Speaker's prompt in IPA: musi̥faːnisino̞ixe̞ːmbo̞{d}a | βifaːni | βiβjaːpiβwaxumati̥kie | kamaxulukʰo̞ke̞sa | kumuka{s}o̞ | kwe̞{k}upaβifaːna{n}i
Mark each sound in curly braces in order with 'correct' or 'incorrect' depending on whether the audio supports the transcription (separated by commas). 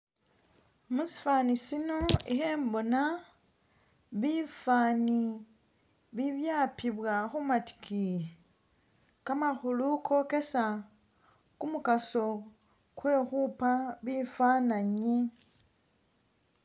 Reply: incorrect, correct, incorrect, incorrect